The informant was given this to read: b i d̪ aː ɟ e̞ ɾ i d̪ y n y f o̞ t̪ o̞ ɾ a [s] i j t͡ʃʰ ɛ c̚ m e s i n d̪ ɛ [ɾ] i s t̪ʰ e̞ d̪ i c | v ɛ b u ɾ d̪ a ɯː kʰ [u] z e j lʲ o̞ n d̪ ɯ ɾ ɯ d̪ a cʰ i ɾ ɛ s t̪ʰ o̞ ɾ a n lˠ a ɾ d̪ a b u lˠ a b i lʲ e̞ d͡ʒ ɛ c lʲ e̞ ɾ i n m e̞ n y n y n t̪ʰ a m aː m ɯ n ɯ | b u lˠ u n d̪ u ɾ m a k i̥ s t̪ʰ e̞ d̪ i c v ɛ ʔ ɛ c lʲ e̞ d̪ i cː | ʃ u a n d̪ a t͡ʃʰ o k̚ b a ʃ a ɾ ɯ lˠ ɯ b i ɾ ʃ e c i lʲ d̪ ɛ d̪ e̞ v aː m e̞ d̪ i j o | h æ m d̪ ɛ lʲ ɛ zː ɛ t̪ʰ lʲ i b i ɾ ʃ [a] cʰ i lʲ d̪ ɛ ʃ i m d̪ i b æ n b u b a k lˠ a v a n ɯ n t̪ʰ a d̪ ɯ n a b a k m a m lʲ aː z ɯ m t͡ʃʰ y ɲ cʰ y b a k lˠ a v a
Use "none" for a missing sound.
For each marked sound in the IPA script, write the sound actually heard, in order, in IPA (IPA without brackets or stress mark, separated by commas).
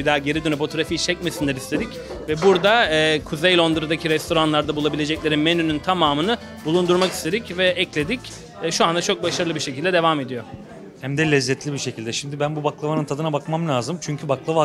f, ɾ, u, e